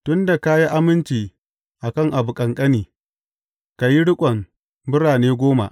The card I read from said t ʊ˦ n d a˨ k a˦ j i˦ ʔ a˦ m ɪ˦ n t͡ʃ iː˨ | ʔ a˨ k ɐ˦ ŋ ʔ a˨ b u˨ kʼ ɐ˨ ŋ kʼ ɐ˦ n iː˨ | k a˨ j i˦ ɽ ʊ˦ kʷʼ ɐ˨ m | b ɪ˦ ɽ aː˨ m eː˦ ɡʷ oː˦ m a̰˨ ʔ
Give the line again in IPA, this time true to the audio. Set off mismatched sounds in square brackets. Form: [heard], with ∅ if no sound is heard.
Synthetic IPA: t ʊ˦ n d a˨ k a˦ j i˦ ʔ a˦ m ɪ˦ n t͡ʃ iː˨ | ʔ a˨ k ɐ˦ ŋ ʔ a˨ b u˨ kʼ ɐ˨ ŋ kʼ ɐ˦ n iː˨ | k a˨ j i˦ ɽ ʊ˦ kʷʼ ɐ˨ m | b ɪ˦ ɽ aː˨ [n] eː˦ ɡʷ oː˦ m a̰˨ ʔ